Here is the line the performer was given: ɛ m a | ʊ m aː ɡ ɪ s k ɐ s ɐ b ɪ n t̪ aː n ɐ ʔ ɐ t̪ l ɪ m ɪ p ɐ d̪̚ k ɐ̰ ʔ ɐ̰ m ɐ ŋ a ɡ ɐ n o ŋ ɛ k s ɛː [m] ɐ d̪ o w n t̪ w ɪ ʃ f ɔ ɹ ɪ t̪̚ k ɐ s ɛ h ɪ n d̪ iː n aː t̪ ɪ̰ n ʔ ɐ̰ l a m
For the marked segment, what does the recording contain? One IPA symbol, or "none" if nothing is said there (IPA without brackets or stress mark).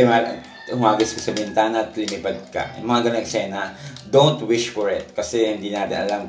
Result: n